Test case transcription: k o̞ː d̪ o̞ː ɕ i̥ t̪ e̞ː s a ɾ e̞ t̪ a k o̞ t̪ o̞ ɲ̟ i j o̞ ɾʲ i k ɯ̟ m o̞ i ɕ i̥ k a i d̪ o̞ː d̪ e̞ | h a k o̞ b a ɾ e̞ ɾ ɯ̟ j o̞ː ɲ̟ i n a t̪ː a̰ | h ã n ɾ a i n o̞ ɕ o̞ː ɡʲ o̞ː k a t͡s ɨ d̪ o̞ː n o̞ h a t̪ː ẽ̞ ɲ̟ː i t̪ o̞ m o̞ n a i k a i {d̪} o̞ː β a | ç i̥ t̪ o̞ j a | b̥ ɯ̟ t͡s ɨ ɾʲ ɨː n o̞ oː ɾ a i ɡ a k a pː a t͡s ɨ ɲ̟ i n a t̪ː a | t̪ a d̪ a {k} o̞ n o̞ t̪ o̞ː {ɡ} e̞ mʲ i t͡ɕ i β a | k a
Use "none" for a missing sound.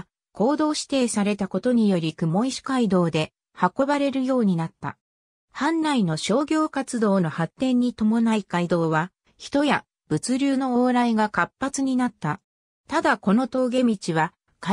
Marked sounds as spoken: d̪, k, ɡ

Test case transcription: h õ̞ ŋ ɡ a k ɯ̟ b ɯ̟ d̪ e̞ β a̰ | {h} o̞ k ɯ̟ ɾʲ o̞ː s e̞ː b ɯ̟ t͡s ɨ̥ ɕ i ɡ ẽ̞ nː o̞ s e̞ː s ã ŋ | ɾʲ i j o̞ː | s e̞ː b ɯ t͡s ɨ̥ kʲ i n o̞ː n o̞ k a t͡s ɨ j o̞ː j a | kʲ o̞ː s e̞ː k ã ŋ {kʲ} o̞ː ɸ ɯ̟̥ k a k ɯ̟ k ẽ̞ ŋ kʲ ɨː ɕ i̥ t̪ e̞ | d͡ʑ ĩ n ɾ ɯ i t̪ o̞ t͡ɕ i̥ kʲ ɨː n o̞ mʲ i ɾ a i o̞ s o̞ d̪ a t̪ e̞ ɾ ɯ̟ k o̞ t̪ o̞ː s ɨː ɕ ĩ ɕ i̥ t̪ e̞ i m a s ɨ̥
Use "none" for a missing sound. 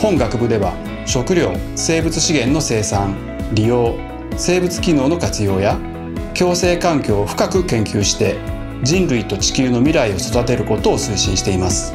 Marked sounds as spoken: ɕ, kʲ

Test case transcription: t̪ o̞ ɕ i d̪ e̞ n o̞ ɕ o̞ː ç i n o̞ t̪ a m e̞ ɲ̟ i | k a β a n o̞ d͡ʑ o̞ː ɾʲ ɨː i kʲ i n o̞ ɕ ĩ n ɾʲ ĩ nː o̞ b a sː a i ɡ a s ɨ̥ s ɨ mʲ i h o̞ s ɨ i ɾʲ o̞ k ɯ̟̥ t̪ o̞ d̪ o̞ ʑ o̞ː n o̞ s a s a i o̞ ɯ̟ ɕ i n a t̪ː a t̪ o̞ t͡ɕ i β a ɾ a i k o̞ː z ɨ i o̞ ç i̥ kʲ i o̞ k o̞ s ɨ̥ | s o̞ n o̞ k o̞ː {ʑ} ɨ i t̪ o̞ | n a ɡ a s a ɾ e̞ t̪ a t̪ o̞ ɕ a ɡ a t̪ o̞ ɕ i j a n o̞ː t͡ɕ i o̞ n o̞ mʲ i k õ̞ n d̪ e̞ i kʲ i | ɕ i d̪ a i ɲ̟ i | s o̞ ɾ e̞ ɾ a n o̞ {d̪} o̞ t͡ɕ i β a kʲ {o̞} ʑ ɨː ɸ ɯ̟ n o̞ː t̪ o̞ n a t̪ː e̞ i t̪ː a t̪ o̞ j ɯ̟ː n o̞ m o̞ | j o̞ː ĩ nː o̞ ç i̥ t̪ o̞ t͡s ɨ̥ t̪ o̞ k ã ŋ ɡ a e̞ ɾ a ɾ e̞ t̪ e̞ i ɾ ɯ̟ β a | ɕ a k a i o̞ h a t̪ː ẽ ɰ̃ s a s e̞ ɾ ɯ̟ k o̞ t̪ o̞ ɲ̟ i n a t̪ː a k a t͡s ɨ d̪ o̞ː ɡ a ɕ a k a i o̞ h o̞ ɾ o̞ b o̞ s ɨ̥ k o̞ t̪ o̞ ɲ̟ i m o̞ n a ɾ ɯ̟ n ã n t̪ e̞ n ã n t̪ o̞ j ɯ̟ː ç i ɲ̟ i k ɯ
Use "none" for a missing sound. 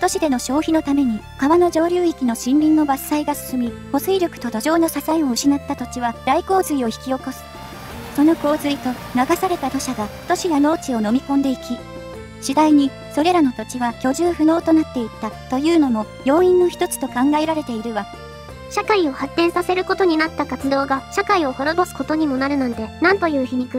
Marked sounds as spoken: z, t̪, o̞

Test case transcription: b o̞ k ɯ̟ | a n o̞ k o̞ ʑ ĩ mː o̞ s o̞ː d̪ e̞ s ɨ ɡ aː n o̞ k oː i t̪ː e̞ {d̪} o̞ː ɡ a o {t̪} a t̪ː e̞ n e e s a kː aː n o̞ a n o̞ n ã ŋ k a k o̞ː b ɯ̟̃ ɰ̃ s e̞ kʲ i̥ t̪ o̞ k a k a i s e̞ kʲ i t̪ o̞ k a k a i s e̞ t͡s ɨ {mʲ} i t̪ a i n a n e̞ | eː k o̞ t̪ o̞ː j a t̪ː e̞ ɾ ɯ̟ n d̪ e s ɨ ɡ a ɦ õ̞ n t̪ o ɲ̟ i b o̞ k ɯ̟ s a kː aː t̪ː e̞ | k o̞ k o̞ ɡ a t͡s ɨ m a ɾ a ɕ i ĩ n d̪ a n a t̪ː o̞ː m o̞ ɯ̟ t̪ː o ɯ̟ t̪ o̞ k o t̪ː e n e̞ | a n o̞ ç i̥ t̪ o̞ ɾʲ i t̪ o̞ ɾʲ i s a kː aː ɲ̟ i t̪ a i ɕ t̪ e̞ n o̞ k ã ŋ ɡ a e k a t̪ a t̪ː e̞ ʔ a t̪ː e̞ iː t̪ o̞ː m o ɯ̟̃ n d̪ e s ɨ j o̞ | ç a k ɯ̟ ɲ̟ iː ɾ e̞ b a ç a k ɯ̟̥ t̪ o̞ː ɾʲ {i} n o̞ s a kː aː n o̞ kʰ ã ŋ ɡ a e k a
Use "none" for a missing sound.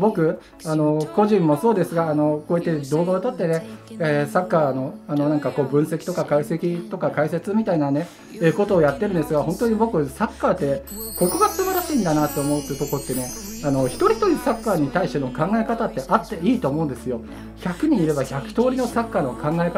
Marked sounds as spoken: d̪, t̪, mʲ, i

